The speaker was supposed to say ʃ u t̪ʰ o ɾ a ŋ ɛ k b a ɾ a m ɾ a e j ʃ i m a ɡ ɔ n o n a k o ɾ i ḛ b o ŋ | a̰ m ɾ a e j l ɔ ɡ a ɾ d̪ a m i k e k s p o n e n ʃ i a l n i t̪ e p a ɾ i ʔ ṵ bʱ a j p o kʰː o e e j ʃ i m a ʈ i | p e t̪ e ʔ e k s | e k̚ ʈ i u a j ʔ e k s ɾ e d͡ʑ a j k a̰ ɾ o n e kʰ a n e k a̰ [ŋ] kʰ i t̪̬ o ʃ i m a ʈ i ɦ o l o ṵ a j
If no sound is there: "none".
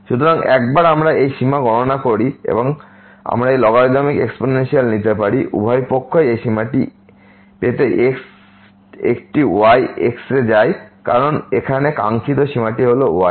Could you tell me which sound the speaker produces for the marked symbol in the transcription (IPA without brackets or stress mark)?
ŋ